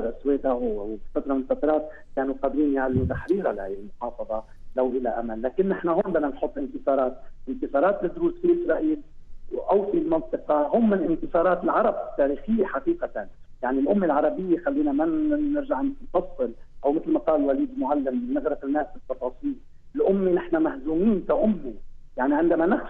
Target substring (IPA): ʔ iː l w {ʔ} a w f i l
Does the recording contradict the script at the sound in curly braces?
no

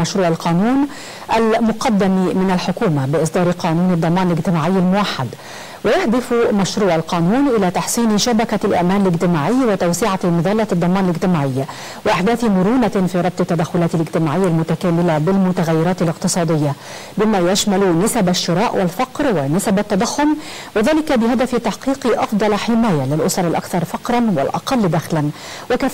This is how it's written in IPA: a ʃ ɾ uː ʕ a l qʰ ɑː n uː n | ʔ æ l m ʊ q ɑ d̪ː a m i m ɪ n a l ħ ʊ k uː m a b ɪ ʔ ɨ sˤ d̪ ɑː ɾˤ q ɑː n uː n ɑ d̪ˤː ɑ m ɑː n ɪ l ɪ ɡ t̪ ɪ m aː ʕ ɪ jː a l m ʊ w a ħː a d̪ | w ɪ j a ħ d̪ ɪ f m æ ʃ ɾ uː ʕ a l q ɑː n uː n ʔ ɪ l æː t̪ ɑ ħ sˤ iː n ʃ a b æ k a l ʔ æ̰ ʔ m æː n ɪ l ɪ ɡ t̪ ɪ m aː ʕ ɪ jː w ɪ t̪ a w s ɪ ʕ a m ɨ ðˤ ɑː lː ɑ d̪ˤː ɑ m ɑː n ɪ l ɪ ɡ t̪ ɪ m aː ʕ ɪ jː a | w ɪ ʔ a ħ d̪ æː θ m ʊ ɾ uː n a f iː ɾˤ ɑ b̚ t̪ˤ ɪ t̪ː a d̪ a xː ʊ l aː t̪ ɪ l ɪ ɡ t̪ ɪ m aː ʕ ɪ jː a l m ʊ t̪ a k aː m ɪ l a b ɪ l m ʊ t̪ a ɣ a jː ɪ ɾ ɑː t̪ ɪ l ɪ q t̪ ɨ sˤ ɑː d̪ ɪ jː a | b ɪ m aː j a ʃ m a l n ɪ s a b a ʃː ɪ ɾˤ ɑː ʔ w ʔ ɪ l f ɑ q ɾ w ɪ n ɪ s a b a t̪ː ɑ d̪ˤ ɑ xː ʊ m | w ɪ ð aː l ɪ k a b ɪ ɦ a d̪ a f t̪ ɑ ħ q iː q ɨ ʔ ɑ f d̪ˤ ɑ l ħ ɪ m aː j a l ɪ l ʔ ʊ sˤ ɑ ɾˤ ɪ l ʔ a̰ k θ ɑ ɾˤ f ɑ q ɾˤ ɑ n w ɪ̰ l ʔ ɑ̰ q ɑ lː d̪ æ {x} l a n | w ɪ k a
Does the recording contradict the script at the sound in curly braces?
no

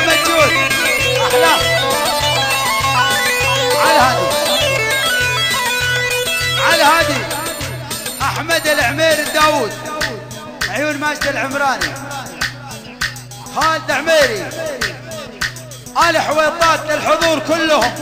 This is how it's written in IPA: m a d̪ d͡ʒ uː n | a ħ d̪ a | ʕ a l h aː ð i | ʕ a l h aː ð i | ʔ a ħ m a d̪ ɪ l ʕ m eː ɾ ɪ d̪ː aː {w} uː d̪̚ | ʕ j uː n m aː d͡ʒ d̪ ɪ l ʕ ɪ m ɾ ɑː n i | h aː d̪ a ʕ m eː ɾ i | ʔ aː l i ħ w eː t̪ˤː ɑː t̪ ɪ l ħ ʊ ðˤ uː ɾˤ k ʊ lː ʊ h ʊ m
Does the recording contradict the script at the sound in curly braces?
no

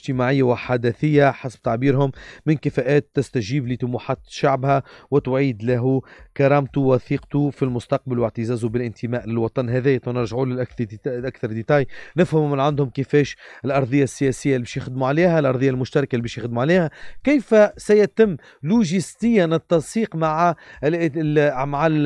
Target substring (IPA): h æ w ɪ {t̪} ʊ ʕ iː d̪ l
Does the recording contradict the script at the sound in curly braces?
no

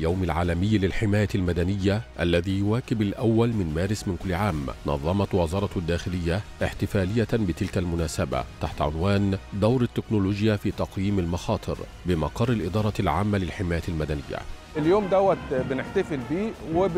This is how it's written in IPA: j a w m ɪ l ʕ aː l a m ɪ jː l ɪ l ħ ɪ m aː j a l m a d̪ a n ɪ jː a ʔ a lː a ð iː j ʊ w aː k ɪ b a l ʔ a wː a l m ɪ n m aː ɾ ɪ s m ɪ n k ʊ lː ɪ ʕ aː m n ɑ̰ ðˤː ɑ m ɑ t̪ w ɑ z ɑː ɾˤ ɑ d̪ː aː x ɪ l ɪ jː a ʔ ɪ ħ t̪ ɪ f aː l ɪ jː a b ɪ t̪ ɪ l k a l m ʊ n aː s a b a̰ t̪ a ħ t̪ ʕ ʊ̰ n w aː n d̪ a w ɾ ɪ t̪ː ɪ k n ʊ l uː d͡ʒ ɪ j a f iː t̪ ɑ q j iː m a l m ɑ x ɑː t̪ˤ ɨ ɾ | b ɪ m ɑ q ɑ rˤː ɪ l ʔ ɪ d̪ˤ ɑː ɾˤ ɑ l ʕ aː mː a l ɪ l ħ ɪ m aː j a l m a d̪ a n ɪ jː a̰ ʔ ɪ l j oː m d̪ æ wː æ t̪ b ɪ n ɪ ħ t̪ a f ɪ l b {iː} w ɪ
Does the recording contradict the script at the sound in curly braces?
no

